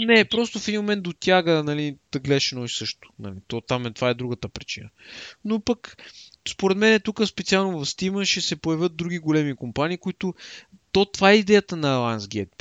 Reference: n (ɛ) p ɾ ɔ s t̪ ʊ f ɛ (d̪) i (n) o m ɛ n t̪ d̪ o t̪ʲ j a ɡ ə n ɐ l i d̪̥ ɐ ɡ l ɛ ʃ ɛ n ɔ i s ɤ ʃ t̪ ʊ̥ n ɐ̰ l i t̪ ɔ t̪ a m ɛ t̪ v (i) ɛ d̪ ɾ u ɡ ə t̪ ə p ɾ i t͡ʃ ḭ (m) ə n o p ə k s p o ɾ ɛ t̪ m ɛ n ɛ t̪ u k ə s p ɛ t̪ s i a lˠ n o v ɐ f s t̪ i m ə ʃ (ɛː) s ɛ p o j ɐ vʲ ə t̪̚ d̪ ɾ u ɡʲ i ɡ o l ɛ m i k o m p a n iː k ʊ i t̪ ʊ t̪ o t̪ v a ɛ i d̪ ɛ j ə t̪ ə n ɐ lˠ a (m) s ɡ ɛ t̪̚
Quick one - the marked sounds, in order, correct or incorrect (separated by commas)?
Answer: correct, correct, incorrect, incorrect, incorrect, incorrect, incorrect